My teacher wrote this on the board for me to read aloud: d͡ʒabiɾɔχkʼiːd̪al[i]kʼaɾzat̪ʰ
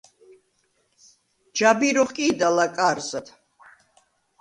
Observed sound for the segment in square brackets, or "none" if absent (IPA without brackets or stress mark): a